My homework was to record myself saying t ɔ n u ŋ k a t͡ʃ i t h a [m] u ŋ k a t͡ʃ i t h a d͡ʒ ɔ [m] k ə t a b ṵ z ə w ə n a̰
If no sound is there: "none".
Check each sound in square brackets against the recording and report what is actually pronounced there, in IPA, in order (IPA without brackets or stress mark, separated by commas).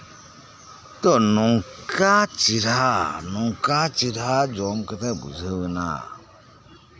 n, m